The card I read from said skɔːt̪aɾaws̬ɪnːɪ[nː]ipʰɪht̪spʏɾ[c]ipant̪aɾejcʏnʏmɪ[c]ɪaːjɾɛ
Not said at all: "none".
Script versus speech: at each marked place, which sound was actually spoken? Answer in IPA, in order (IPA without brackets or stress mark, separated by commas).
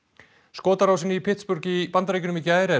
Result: none, c, c